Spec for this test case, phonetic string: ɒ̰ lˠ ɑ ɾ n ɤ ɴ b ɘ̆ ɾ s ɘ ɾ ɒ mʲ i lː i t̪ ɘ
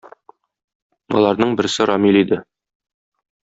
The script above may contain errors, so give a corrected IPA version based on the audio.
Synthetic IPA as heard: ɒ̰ lˠ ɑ ɾ n ɤ ɴ b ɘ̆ ɾ s ɘ ɾ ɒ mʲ i l i d̪ ɘ